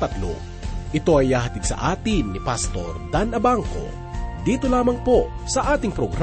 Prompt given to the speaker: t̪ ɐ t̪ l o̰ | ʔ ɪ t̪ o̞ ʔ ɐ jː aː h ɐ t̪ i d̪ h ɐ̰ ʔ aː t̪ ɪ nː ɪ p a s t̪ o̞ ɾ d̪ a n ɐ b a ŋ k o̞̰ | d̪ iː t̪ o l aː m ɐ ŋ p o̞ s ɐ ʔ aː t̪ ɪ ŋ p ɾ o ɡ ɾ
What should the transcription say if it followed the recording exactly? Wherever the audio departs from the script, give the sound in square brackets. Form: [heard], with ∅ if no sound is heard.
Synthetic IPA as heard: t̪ ɐ t̪ l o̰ | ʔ ɪ t̪ o̞ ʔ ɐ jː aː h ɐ t̪ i d̪ [s] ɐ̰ ʔ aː t̪ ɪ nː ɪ p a s t̪ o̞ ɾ d̪ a n ɐ b a ŋ k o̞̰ | d̪ iː t̪ o l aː m ɐ ŋ p o̞ s ɐ ʔ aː t̪ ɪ ŋ p ɾ o ɡ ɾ